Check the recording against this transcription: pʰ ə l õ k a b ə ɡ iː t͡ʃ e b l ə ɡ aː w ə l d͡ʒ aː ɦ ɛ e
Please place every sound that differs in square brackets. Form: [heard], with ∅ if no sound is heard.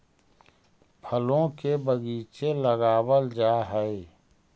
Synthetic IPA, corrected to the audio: pʰ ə l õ k [e] b ə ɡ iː t͡ʃ e [∅] l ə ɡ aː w ə l d͡ʒ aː ɦ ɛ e